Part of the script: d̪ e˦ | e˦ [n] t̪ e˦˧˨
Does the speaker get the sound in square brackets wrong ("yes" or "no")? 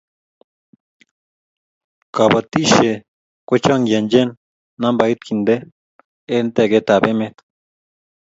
no